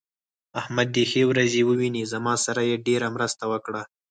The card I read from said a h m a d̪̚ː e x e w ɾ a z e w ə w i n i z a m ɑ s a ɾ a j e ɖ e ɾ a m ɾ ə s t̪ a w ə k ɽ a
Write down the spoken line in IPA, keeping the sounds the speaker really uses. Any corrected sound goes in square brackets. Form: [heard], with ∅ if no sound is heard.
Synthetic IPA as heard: a h m a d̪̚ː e x e w ɾ a z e w ə w i n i z a m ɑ s a ɾ a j e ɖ e ɾ a m ɾ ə s t̪ a w ə k ɽ a